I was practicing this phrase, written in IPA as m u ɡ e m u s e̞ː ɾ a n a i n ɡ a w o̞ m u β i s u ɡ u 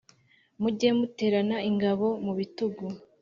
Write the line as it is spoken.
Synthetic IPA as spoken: m u ɟ e m u t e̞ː ɾ a n a i ŋ ɡ a β o̞ m u β i t u ɡ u